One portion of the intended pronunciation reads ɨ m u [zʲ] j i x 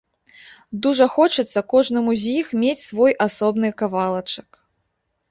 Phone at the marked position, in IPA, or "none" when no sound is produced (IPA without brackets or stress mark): zʲ